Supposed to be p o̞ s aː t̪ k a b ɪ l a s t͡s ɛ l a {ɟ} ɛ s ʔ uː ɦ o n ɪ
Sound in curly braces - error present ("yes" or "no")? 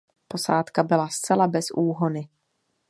yes